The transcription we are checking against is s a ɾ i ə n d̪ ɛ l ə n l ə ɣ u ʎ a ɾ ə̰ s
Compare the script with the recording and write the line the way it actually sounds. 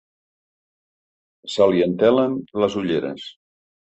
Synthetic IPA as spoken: s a l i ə n t̪ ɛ l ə n l ə z u ʎ e ɾ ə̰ s